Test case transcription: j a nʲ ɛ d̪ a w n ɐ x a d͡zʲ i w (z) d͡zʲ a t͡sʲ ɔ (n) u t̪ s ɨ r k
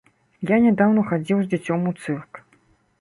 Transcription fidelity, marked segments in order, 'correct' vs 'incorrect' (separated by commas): correct, incorrect